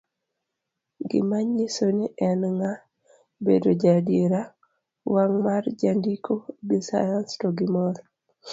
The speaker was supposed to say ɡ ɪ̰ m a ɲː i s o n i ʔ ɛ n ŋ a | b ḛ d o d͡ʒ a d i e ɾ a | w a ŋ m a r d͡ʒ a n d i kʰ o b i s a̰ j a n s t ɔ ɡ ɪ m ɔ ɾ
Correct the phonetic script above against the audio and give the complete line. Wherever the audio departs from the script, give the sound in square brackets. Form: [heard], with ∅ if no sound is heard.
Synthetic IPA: ɡ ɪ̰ m a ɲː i s o n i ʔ ɛ n ŋ a | b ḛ d o d͡ʒ a d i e ɾ a | w a ŋ m a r d͡ʒ a n d i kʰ o b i s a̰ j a n s t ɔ ɡ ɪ m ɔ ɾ